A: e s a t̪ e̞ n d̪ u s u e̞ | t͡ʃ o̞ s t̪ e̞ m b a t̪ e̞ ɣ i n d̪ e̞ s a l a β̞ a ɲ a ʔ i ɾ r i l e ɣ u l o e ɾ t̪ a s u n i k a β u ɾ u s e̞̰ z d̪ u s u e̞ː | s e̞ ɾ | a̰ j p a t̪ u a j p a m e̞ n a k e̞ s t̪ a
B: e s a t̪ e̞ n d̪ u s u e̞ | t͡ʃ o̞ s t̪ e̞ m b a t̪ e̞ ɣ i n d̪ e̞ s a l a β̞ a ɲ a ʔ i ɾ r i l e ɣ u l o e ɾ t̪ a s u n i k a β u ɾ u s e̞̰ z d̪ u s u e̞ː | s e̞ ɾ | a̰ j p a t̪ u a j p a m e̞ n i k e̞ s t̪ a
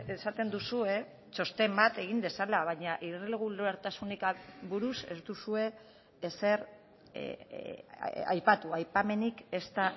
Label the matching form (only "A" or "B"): B